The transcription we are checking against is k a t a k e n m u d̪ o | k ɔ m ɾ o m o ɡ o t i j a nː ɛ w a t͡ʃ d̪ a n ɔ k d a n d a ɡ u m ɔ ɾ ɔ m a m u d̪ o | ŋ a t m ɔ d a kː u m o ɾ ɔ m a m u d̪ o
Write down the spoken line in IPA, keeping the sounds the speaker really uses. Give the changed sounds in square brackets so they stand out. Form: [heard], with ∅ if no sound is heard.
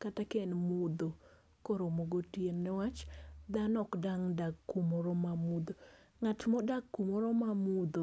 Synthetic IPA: k a t a k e n m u d̪ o | k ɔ [∅] ɾ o m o ɡ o t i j [e] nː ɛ w a t͡ʃ d̪ a n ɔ k d a [ŋ] d a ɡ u m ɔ ɾ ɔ m a m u d̪ o | ŋ a t m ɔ d a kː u m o ɾ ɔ m a m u d̪ o

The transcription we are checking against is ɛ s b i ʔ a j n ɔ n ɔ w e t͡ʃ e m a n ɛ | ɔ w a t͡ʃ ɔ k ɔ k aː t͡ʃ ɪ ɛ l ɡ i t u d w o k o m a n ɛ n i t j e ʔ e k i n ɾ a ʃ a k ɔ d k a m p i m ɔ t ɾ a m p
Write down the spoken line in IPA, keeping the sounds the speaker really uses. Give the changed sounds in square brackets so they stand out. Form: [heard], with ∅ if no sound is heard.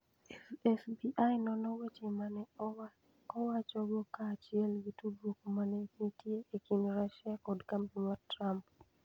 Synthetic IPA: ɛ s b i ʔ a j n ɔ n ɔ w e t͡ʃ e m a n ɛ | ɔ w a t͡ʃ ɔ [ɡ] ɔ k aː t͡ʃ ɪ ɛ l ɡ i t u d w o k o m a n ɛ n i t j e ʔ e k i n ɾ a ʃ a k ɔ d k a m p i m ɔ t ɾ a m p

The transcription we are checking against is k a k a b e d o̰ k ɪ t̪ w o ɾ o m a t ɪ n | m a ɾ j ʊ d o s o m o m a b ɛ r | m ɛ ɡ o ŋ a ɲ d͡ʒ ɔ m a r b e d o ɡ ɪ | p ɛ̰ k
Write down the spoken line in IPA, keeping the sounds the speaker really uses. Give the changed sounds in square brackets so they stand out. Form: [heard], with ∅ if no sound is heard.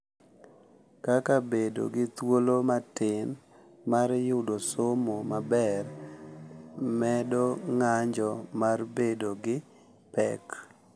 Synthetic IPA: k a k a b e d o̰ [ɡ] ɪ t̪ w o [l] o m a t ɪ n | m a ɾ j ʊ d o s o m o m a b ɛ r | m ɛ [d] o ŋ a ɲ d͡ʒ ɔ m a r b e d o ɡ ɪ | p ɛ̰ k

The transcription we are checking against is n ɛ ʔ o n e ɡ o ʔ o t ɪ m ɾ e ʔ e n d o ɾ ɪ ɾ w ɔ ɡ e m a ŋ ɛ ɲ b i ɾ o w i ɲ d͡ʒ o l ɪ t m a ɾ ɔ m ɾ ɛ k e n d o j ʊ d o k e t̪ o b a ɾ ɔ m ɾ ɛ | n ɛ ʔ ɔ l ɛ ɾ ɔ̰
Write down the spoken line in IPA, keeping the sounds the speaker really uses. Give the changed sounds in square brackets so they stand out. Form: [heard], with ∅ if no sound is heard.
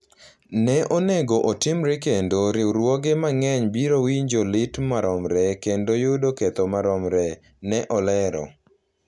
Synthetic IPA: n ɛ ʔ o n e ɡ o ʔ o t ɪ m ɾ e [k] e n d o ɾ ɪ ɾ w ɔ ɡ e m a ŋ ɛ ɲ b i ɾ o w i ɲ d͡ʒ o l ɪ t m a ɾ ɔ m ɾ ɛ k e n d o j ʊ d o k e t̪ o [m] a ɾ ɔ m ɾ ɛ | n ɛ ʔ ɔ l ɛ ɾ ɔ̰

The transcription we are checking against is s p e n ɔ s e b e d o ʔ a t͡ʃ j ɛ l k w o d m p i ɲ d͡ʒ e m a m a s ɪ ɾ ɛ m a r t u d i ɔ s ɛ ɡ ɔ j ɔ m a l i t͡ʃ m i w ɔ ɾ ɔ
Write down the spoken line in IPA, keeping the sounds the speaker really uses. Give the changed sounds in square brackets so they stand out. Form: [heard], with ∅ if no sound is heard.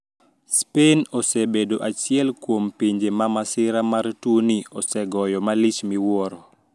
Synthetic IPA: s p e n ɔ s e b e d o ʔ a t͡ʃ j ɛ l k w o [∅] m p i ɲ d͡ʒ e m a m a s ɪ ɾ [a] m a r t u [n] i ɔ s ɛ ɡ ɔ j ɔ m a l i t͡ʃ m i w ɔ ɾ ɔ

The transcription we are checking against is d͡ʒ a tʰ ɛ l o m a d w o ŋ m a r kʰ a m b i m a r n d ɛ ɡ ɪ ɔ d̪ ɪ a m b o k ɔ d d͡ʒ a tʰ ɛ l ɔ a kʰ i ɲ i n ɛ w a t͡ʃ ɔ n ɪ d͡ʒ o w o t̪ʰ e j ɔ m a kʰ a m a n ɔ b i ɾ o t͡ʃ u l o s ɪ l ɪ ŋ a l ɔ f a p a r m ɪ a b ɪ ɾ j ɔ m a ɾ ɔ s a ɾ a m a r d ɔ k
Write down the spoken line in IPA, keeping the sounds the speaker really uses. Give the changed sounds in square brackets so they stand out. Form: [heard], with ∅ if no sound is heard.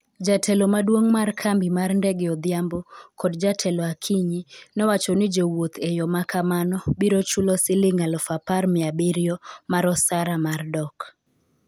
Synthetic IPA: d͡ʒ a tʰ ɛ l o m a d w o ŋ m a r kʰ a m b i m a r n d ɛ ɡ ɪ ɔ d̪ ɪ a m b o k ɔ d d͡ʒ a tʰ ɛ l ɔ a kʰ i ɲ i n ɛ w a t͡ʃ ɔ n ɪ d͡ʒ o w o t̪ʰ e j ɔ m a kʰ a m a n ɔ b i ɾ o t͡ʃ u l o s ɪ l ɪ ŋ a l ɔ f a p a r m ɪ a b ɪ ɾ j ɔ m a ɾ ɔ s a ɾ a m a r d ɔ k

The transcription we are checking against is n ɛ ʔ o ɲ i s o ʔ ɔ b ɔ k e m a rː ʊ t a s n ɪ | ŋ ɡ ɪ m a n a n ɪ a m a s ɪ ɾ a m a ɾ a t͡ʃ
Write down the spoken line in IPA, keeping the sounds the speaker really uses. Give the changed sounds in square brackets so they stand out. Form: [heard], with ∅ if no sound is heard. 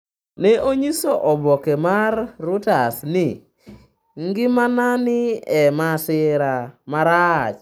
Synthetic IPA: n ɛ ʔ o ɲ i s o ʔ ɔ b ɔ k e m a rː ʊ t a s n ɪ | ŋ ɡ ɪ m a n a n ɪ [ɛ] m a s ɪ ɾ a m a ɾ a t͡ʃ

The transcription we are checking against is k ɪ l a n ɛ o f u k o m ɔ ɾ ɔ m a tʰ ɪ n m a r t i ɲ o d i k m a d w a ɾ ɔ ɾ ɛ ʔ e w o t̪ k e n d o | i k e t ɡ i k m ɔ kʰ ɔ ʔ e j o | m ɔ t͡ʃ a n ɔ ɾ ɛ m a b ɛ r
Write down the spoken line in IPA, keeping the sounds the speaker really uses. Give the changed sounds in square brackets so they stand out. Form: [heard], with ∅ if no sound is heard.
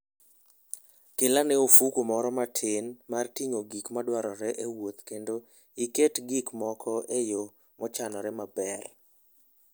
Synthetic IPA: k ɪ l a n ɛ o f u k o m ɔ ɾ ɔ m a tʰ ɪ n m a r t i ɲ o [ɡ] i k m a d w a ɾ ɔ ɾ ɛ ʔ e w o t̪ k e n d o | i k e t ɡ i k m ɔ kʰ ɔ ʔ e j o | m ɔ t͡ʃ a n ɔ ɾ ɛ m a b ɛ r

